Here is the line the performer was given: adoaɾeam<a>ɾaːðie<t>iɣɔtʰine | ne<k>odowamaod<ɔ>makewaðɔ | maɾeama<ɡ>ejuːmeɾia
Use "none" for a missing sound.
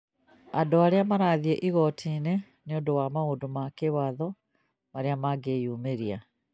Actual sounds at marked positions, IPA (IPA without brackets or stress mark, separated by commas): a, ʔ, none, o, ɡ